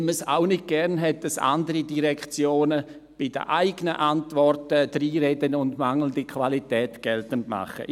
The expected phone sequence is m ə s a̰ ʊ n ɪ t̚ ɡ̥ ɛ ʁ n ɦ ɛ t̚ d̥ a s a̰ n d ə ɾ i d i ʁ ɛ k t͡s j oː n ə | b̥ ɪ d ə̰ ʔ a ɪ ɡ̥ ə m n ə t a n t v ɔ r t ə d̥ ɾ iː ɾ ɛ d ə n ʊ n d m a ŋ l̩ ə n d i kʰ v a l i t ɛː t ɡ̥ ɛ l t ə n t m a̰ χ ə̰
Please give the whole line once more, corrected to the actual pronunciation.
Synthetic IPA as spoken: m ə s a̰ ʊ n ɪ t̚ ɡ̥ ɛ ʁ n ɦ ɛ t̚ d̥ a s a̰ n d ə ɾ i d i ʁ ɛ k t͡s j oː n ə | b̥ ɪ d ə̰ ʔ a ɪ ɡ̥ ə n ə ʔ a n t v ɔ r t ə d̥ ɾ iː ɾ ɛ d ə n ʊ n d m a ŋ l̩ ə n d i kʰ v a l i t ɛː t ɡ̥ ɛ l t ə n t m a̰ χ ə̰